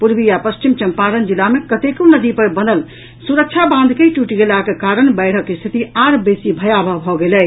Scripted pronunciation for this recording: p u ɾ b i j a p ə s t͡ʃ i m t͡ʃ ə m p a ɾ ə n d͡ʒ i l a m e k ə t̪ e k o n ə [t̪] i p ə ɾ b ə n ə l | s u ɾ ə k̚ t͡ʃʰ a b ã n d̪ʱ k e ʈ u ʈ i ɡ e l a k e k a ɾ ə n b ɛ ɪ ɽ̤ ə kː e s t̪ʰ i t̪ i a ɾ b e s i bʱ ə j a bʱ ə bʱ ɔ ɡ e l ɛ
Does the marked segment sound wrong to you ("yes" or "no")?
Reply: yes